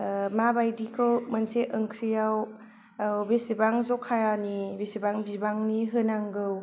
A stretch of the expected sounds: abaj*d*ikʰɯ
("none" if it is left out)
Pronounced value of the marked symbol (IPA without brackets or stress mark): d